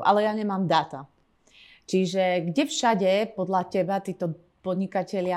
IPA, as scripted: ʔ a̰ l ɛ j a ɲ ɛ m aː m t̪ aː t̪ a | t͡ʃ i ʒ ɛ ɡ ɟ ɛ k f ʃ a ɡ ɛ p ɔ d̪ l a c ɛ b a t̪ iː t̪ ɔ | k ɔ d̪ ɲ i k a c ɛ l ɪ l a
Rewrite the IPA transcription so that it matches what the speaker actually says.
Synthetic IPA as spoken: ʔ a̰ l ɛ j a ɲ ɛ m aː m d̪ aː t̪ a | t͡ʃ i ʒ ɛ ɡ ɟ ɛ f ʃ a ɟ ɛ p ɔ d̪ l a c ɛ b a t̪ iː t̪ ɔ | p ɔ d̪ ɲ i k a c ɛ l ɪ a